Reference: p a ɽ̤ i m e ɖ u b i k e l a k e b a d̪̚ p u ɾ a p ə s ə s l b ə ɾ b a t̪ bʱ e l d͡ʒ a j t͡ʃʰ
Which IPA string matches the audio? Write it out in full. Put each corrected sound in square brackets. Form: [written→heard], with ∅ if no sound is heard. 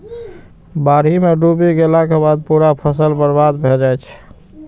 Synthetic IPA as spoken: [p→b] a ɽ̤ i m e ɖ u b i [k→ɡ] e l a k e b a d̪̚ p u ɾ a [p→pʰ] ə s ə [s→∅] l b ə ɾ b a [t̪→d̪] bʱ e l d͡ʒ a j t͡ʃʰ